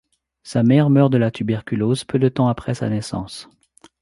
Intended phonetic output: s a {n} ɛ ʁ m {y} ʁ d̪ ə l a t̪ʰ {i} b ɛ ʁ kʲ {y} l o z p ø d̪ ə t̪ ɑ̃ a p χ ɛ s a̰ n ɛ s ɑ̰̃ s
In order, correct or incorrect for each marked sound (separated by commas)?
incorrect, incorrect, incorrect, correct